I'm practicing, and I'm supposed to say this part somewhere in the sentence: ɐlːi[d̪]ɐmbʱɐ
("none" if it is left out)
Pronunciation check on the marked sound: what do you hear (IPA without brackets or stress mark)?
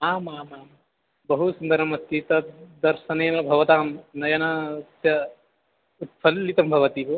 t̪